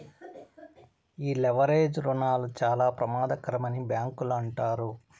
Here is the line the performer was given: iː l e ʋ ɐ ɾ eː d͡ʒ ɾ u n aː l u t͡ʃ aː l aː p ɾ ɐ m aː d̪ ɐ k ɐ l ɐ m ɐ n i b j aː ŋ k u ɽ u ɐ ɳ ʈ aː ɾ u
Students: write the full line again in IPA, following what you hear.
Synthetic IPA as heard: iː l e ʋ ɐ ɾ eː d͡ʒ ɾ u n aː l u t͡ʃ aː l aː p ɾ ɐ m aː d̪ ɐ k ɐ ɾ ɐ m ɐ n i b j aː ŋ k u l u ɐ ɳ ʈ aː ɾ u